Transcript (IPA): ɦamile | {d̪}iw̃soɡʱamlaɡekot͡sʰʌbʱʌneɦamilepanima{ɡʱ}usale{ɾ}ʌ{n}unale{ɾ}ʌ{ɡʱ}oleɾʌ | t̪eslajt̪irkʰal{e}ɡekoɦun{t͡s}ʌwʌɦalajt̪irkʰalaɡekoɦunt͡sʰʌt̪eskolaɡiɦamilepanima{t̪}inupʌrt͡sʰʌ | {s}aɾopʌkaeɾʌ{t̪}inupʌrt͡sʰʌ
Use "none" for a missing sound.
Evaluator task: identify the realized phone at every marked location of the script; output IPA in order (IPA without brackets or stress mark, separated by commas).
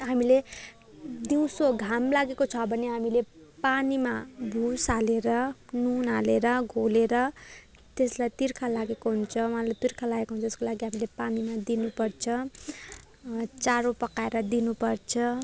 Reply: d̪, bʱ, ɾ, n, ɾ, ɡʱ, a, t͡sʰ, d̪, t͡s, d̪